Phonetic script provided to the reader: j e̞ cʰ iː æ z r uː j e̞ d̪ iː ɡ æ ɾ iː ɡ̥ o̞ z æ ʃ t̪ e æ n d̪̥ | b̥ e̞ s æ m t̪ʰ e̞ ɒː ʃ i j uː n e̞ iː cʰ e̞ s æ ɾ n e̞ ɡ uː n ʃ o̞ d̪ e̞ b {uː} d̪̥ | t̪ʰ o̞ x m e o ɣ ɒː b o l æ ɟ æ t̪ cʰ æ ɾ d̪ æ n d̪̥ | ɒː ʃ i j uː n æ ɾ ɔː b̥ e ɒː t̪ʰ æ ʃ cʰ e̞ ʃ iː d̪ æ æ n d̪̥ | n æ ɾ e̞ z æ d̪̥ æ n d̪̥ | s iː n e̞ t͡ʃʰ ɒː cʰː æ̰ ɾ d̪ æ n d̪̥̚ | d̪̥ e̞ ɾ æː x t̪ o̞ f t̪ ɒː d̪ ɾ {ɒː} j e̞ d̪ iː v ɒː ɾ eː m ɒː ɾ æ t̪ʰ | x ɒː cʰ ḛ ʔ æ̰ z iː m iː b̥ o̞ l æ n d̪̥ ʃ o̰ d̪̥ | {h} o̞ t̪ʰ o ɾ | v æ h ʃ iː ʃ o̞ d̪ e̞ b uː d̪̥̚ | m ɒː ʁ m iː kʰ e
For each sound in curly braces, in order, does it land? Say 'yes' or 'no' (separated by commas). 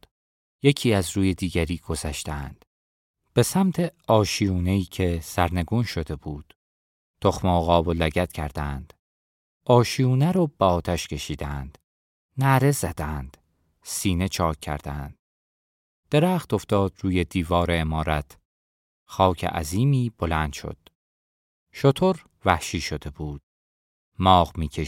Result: yes, no, no